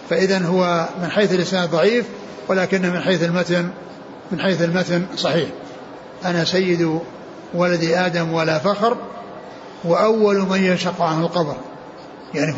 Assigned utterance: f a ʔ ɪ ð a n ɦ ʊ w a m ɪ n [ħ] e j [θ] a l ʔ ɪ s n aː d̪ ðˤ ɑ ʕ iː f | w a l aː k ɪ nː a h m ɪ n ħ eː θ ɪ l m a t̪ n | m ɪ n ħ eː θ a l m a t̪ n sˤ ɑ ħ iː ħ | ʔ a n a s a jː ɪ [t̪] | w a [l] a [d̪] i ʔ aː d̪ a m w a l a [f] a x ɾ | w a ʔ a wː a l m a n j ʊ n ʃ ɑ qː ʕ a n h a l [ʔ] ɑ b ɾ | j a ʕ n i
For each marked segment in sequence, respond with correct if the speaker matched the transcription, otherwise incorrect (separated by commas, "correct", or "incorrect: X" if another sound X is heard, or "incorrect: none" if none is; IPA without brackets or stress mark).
correct, correct, incorrect: d̪, correct, correct, correct, incorrect: q